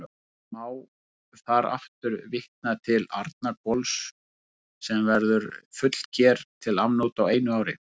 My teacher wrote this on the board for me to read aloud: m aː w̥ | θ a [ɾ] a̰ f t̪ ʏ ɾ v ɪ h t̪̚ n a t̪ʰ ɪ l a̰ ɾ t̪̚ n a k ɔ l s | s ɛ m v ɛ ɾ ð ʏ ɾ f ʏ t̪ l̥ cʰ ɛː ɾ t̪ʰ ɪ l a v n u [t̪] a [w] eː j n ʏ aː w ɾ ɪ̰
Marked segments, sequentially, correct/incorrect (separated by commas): correct, correct, correct